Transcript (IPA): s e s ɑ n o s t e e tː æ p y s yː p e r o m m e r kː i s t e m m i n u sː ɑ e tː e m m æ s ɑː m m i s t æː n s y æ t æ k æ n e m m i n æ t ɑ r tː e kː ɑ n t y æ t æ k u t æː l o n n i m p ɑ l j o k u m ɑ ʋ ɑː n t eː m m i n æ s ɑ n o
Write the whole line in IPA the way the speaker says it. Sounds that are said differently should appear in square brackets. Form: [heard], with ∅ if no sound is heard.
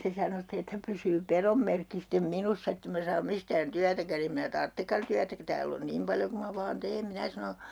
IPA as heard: s e s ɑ n o s t e e tː æ p y s yː p e r o m m e r kː i s t e m m i n u sː ɑ e tː e m m æ s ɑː m m i s t æː n [t] y æ t æ k æ n e m m i n æ t ɑ r tː e kː ɑ n t y æ t æ k u t æː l o n n i m p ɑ l j o k u m ɑ ʋ ɑː n t eː m m i n æ s ɑ n o